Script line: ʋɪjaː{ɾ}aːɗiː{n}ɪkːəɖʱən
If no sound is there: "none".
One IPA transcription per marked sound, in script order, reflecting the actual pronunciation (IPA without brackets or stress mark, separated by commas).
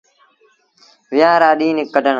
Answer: ɾ, n